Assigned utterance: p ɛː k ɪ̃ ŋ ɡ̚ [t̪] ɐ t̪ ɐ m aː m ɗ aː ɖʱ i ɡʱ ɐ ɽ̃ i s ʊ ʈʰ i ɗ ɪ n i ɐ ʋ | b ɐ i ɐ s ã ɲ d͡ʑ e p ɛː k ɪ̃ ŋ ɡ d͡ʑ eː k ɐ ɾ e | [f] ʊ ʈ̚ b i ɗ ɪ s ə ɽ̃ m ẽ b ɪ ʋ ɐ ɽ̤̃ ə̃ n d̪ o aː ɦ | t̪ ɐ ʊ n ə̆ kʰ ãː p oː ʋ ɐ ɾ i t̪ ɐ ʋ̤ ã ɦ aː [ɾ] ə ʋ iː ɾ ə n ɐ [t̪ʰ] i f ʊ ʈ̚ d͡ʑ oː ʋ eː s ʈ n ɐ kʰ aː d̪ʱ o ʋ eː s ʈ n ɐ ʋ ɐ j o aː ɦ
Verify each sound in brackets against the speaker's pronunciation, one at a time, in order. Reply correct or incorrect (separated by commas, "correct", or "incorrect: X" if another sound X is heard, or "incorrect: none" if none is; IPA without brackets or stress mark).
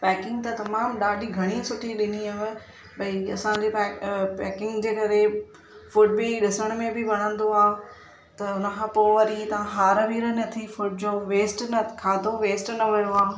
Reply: correct, correct, correct, correct